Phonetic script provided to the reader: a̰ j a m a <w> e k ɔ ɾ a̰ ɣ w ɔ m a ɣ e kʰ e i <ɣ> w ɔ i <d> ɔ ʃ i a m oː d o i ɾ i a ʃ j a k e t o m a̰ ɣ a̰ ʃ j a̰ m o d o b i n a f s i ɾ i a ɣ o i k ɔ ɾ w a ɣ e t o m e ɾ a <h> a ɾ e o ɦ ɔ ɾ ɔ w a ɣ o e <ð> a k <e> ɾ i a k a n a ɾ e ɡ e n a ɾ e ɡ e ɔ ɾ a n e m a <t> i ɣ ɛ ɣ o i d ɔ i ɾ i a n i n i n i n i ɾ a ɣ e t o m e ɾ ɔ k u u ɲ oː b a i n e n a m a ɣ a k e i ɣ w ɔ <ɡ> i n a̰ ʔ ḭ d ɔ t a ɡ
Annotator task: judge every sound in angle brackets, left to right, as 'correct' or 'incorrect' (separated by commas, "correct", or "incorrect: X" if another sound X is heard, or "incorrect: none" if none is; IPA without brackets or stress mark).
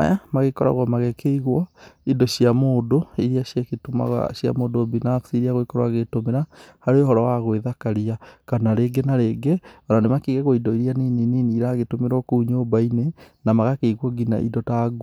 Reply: incorrect: ɣ, correct, correct, correct, correct, incorrect: a, incorrect: k, correct